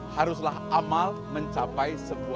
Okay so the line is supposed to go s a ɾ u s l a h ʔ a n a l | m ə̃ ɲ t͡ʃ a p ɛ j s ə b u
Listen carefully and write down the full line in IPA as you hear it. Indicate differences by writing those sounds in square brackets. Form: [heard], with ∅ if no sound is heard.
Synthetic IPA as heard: [h] a ɾ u s l a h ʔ a [m] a l | m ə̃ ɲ t͡ʃ a p [a] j s ə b u